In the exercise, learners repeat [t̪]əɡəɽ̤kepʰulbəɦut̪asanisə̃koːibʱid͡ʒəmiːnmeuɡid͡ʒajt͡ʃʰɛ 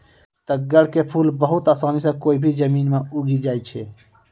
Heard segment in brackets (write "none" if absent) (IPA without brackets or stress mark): t̪